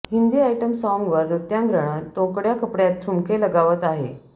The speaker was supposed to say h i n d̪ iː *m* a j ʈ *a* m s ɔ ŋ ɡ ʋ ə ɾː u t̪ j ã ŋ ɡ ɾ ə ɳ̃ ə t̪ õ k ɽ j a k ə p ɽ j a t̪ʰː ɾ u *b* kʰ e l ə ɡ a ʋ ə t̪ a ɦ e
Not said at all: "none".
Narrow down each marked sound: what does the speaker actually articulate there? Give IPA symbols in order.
none, ə, m

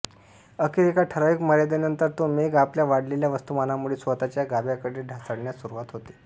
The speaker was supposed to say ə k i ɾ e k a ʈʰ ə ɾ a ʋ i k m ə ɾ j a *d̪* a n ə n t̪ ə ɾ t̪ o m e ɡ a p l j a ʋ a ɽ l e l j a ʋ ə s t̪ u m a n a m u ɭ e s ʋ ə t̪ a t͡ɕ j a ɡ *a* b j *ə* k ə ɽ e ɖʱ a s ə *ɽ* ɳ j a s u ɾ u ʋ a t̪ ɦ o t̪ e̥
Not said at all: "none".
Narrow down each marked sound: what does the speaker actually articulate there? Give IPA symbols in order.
d̪, a, a, ɽ

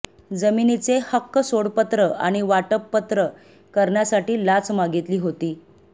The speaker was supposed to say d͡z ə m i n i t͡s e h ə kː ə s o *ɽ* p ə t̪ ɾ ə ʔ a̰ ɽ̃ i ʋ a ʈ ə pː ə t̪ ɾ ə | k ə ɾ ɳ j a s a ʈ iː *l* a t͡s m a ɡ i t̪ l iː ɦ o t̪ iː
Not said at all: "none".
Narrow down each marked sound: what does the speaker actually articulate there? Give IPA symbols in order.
ɽ, l

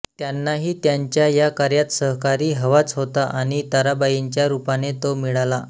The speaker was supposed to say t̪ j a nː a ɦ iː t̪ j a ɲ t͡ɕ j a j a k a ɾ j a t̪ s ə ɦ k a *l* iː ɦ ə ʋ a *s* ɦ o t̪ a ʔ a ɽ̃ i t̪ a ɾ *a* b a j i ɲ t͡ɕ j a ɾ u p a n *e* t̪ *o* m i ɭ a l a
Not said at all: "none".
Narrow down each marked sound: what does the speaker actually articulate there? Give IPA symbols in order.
ɾ, t͡s, a, e, o

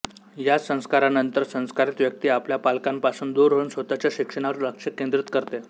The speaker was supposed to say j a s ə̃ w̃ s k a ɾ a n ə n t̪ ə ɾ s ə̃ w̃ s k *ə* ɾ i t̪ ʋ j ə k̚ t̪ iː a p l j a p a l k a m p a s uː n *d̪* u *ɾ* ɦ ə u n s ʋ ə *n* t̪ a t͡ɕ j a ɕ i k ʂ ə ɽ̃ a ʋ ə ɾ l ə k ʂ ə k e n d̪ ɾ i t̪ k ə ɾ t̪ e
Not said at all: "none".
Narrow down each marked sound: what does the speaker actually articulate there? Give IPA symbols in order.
a, d̪, ɾ, none

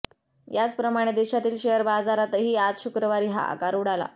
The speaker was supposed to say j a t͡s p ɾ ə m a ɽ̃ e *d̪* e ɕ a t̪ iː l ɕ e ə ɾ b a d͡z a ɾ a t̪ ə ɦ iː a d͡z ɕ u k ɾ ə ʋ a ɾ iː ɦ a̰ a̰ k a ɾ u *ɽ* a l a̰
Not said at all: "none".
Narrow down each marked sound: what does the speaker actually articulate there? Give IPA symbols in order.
d̪, ɽ

